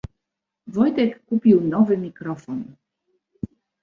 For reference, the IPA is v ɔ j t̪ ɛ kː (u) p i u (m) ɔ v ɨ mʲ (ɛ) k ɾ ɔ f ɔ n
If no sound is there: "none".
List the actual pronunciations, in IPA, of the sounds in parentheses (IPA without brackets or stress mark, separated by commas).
u, n, i